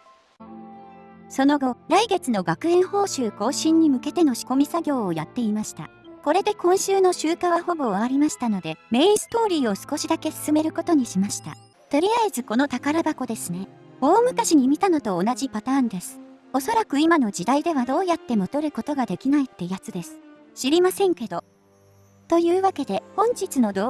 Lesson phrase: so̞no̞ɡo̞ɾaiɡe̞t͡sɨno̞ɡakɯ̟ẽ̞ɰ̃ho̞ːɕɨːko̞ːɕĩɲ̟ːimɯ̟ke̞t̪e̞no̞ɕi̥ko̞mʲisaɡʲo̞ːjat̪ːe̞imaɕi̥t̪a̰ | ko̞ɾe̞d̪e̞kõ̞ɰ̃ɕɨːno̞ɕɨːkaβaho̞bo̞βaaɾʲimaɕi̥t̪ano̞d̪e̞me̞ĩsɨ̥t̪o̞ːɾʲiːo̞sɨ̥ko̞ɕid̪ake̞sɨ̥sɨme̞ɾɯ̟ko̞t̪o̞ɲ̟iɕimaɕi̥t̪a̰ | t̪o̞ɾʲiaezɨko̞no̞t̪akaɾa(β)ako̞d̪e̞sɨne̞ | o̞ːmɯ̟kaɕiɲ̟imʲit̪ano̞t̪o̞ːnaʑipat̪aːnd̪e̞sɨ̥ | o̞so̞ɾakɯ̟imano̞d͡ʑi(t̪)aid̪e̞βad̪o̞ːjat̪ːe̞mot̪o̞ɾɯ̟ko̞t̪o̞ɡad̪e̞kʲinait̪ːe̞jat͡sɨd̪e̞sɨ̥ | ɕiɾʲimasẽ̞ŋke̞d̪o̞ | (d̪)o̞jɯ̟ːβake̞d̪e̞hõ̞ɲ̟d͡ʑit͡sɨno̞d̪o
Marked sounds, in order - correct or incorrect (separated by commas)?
incorrect, incorrect, incorrect